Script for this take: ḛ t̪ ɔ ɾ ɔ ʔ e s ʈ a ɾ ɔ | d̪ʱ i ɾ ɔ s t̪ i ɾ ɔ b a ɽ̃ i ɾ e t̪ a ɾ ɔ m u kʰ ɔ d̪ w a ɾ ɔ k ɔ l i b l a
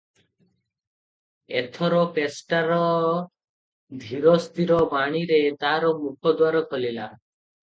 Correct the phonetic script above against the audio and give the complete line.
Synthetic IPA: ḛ t̪ʰ ɔ ɾ ɔ p e s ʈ a ɾ ɔ | d̪ʱ i ɾ ɔ s t̪ i ɾ ɔ b a ɽ̃ i ɾ e t̪ a ɾ ɔ m u kʰ ɔ d̪ w a ɾ ɔ k ɔ l i l a